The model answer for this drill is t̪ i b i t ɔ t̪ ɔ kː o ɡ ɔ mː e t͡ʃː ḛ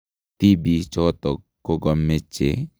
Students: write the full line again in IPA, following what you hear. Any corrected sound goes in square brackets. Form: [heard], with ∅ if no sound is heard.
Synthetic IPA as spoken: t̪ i b i [t͡ʃ] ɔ t̪ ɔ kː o ɡ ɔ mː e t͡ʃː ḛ